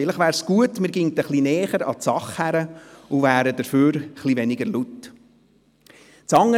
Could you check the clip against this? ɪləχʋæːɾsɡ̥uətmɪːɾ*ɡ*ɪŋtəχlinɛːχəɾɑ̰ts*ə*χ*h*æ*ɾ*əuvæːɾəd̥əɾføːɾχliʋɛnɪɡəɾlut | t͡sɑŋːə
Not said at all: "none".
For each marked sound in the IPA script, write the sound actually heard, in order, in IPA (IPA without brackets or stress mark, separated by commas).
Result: ɡ, ɑ, h, ɾ